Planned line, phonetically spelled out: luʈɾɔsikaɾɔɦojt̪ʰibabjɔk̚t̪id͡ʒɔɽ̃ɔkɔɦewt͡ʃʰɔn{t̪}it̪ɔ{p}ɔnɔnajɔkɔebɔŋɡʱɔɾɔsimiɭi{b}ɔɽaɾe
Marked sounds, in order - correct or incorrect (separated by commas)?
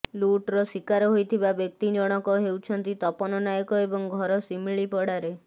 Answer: correct, correct, incorrect